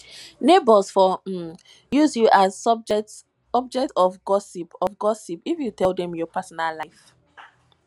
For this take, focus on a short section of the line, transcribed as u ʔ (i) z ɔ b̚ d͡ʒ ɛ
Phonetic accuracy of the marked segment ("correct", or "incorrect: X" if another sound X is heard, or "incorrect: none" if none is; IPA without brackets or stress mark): incorrect: a